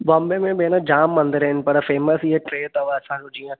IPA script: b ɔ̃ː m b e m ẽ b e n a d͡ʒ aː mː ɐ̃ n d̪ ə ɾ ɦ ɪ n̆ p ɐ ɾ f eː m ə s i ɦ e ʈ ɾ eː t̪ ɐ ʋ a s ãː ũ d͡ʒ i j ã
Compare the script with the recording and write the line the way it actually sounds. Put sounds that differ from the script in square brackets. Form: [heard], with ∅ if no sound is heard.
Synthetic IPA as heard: b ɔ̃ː m b e m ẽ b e n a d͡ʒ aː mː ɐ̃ n d̪ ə ɾ ɦ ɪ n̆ p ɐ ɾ f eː m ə s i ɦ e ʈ ɾ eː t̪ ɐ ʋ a s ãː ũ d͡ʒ i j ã

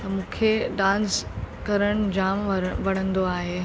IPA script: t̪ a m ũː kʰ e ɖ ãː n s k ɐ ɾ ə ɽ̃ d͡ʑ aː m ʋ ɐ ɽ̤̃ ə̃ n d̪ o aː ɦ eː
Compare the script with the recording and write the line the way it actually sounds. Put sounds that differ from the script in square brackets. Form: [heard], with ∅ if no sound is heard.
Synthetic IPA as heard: t̪ [ɐ] m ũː kʰ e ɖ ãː n s k ɐ ɾ ə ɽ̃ d͡ʑ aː m ʋ ɐ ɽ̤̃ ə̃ n d̪ o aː ɦ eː

